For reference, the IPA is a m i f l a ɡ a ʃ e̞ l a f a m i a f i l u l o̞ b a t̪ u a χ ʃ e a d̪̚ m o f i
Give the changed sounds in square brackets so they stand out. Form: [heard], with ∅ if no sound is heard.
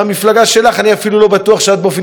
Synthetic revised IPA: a m i f l a ɡ a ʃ e̞ l a [χ] a [n] i a f i l u l o̞ b a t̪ u a χ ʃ e a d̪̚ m o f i